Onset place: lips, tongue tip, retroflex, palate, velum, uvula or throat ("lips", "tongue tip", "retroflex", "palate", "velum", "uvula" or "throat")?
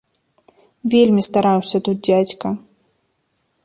lips